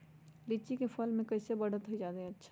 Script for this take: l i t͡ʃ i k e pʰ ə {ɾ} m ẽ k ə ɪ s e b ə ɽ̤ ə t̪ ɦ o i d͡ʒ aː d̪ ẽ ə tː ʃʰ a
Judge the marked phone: incorrect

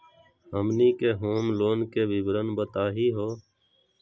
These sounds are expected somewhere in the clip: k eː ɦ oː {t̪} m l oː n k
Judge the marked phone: incorrect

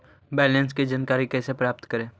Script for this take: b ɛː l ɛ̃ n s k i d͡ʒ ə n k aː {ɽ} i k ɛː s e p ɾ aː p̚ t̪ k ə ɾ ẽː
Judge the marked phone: incorrect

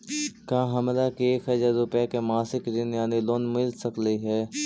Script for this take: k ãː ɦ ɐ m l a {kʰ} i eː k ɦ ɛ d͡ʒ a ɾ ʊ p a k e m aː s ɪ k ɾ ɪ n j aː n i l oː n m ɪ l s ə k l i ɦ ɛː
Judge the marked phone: incorrect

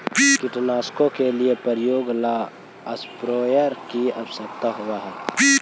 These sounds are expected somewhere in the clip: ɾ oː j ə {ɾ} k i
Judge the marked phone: correct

